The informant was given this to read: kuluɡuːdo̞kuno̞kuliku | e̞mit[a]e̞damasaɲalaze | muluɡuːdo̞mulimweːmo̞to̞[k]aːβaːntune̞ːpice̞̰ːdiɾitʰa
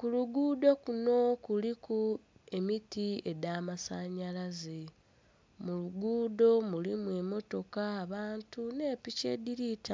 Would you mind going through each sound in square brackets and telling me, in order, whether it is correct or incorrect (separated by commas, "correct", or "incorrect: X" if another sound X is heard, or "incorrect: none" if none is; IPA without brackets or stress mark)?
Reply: incorrect: i, correct